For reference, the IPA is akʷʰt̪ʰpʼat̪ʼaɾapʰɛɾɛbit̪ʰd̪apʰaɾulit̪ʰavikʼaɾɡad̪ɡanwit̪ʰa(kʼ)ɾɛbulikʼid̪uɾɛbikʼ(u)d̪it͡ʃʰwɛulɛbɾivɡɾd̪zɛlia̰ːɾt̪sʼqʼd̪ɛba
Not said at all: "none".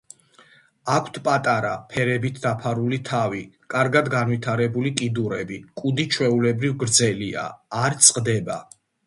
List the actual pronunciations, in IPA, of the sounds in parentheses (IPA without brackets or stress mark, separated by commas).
none, u